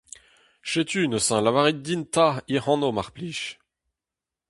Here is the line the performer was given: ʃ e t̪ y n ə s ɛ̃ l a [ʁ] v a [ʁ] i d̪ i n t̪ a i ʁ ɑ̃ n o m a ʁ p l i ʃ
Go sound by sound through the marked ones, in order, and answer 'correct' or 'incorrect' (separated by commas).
incorrect, correct